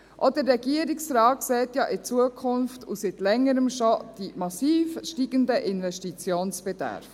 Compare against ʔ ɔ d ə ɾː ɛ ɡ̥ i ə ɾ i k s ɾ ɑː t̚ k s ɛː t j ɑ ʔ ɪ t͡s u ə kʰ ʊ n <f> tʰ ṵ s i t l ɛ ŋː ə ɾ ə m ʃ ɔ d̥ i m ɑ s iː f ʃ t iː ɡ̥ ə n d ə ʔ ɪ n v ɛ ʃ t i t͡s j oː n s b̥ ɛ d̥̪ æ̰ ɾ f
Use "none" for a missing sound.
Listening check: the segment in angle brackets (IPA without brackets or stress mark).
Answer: f